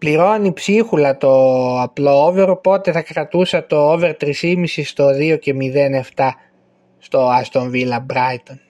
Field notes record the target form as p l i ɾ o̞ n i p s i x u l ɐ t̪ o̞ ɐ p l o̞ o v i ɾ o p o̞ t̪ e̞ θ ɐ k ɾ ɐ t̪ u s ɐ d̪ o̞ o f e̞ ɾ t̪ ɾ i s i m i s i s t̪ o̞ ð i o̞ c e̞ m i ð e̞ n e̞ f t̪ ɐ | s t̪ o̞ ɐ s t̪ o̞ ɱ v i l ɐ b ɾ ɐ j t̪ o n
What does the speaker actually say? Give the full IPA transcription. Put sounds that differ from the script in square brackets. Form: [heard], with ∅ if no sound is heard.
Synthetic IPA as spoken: p l i ɾ o̞ n i p s i x u l ɐ t̪ o̞ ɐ p l o̞ o v [e] ɾ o p o̞ t̪ e̞ θ ɐ k ɾ ɐ t̪ u s ɐ [t̪] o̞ o [v] e̞ ɾ t̪ ɾ i s i m i s i s t̪ o̞ ð i o̞ c e̞ m i ð e̞ n e̞ f t̪ ɐ | s t̪ o̞ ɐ s t̪ o̞ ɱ v i l ɐ b ɾ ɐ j t̪ o n